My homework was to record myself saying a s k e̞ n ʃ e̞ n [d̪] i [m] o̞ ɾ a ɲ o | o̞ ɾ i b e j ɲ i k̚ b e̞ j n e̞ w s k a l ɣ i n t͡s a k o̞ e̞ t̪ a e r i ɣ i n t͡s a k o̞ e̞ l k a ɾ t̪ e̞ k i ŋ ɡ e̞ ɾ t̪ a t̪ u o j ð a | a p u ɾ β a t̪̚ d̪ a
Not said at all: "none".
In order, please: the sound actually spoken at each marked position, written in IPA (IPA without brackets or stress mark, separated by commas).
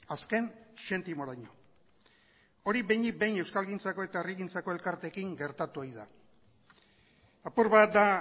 t̪, m